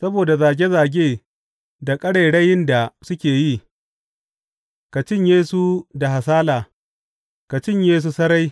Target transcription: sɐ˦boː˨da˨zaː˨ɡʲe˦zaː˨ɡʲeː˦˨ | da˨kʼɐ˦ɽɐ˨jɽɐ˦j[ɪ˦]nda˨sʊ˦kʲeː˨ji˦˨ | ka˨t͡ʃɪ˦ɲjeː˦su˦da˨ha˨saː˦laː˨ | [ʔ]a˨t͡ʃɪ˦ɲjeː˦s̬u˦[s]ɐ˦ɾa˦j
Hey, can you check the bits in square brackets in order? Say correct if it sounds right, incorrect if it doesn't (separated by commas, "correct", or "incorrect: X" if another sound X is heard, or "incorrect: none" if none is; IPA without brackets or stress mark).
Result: correct, incorrect: k, correct